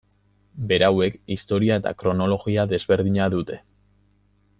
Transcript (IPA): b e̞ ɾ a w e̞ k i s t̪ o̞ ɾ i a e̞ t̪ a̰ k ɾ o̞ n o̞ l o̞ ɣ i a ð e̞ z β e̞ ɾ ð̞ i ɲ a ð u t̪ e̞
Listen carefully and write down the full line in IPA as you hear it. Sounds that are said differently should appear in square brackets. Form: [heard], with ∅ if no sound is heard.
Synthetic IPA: b e̞ ɾ a w e̞ k i s t̪ o̞ ɾ i a e̞ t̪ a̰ k ɾ o̞ n o̞ l o̞ ɣ i a ð e̞ z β e̞ ɾ ð̞ i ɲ a ð u t̪ e̞